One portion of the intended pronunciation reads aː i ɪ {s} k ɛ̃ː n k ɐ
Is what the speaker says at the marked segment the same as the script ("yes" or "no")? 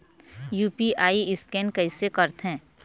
yes